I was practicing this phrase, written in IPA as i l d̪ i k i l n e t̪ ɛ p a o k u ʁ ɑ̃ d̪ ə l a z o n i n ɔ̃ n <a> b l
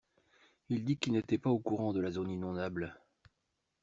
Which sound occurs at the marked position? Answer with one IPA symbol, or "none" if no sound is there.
a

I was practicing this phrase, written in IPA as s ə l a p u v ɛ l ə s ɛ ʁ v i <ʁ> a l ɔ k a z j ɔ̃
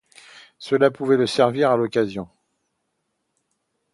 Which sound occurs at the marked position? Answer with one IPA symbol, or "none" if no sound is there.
ʁ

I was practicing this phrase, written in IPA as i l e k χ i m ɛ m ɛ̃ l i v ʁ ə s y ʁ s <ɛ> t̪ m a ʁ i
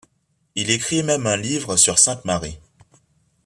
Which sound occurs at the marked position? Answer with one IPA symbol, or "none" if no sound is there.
ɛ̃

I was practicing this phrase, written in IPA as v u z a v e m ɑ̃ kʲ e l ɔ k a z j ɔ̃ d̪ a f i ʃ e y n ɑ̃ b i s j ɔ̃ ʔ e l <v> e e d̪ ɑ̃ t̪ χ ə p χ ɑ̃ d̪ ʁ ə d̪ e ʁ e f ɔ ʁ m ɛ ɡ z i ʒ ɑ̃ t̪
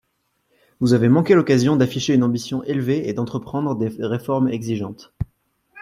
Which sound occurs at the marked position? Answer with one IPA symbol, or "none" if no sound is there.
v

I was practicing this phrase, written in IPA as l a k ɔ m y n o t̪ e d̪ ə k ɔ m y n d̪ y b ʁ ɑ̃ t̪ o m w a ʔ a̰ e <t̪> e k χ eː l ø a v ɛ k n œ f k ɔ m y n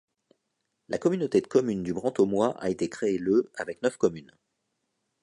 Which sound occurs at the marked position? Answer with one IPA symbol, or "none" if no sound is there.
t̪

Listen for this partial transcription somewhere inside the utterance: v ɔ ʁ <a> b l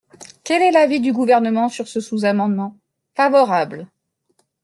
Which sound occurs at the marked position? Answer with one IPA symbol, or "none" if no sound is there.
a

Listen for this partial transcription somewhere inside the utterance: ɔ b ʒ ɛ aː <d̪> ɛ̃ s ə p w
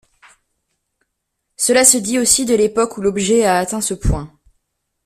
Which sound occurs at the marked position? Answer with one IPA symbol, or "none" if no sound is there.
t̪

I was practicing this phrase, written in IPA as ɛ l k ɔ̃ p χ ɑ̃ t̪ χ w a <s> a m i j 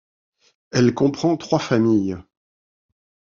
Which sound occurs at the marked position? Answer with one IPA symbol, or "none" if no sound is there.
f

